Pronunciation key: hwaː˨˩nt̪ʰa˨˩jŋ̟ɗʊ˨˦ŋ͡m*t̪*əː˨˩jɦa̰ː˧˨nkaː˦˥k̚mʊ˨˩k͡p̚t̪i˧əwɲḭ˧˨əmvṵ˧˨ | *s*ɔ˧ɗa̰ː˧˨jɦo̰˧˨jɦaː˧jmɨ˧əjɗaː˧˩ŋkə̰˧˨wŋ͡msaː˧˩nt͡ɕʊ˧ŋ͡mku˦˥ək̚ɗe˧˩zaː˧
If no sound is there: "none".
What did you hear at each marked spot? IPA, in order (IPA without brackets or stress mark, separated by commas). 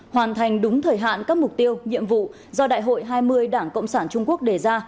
t̪ʰ, z